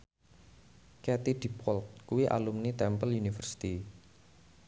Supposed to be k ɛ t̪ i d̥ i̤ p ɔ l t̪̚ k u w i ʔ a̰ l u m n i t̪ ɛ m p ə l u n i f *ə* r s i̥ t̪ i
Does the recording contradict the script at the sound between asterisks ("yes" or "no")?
no